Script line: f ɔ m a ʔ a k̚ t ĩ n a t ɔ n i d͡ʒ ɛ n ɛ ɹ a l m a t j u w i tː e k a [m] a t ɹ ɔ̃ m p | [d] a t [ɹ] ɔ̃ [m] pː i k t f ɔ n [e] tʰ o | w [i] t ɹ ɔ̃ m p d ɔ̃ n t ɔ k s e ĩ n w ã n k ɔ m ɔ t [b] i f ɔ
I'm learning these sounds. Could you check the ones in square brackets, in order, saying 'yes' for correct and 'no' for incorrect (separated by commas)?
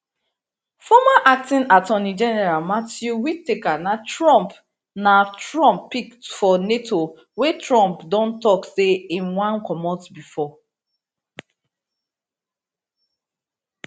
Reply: no, no, yes, yes, yes, no, yes